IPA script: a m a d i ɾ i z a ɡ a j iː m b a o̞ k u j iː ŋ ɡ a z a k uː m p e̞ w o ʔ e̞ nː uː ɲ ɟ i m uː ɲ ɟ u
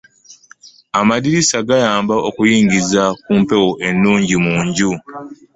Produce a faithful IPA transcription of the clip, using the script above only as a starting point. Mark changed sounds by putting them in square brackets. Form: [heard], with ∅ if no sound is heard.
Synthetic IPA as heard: a m a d i ɾ i [s] a ɡ a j [aː] m b a o̞ k u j iː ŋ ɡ [i] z a k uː m p e̞ w o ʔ e̞ nː uː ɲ ɟ i m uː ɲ ɟ u